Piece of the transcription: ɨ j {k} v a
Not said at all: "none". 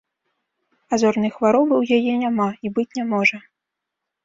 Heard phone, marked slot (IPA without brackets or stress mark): x